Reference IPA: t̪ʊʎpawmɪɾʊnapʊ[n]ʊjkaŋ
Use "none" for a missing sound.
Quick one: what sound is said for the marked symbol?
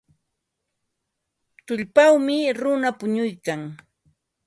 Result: ɲ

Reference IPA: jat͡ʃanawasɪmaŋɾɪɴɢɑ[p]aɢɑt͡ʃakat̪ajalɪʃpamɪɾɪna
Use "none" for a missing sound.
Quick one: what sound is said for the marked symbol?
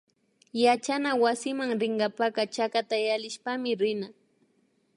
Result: p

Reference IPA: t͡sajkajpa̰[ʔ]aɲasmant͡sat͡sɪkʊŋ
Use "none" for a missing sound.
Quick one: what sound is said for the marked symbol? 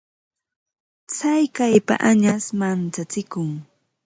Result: ʔ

